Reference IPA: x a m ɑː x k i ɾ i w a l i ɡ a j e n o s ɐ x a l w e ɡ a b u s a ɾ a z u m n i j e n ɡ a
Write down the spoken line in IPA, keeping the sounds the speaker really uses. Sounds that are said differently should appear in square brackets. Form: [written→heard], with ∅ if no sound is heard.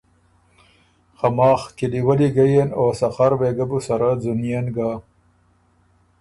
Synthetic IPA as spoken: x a m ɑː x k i [ɾ→l] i w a l i ɡ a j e n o s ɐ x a [l→ɾ] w e ɡ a b u s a ɾ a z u [m→∅] n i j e n ɡ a